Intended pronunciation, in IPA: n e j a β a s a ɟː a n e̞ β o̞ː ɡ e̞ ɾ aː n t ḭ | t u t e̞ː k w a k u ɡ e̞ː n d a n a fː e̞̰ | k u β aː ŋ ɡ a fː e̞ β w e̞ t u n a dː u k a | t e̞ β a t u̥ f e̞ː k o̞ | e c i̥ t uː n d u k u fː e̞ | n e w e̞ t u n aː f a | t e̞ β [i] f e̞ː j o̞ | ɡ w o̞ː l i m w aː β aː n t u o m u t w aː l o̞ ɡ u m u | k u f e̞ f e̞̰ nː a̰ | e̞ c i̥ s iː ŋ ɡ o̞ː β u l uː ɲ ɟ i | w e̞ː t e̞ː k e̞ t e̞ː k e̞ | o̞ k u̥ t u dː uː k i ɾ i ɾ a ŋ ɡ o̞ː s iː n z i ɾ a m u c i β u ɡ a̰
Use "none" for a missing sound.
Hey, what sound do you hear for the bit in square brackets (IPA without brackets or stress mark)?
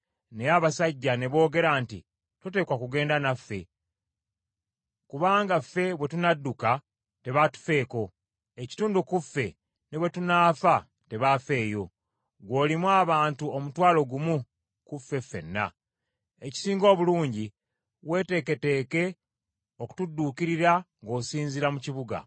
a